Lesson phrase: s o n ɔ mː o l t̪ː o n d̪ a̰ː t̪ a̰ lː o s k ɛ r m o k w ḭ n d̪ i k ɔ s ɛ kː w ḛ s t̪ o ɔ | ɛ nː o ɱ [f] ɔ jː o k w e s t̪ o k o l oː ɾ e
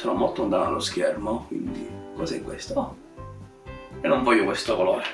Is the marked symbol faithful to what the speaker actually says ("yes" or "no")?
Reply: no